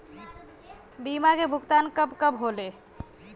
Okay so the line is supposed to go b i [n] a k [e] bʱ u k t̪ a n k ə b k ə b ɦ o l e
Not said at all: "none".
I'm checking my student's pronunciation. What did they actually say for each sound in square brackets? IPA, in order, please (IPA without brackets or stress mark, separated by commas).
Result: m, e